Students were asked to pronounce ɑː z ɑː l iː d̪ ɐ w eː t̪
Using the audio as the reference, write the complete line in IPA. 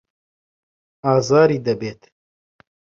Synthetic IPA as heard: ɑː z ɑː ɾ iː d̪ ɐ b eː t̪